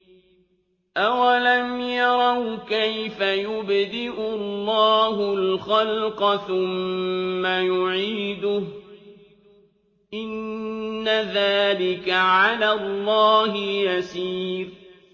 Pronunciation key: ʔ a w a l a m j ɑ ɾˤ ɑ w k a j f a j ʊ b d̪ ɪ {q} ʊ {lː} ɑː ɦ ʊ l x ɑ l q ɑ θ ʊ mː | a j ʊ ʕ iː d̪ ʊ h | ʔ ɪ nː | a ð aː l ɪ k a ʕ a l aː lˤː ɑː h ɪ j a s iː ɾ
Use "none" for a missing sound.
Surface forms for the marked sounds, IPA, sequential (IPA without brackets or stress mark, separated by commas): ʔ, lː